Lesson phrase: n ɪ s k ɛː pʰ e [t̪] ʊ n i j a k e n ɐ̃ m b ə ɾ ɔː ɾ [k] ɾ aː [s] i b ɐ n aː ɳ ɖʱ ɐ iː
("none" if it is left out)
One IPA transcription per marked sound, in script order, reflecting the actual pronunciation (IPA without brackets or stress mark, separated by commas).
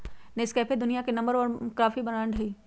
d̪, k, f